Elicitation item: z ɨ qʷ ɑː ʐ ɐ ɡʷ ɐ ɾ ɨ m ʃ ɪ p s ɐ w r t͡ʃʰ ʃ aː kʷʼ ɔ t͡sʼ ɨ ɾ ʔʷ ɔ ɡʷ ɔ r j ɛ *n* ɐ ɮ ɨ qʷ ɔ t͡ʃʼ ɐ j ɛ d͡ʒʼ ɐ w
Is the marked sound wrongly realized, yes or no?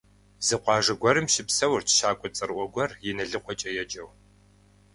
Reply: no